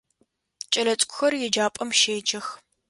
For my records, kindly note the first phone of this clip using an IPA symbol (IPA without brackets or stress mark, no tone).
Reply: t͡ʃʼ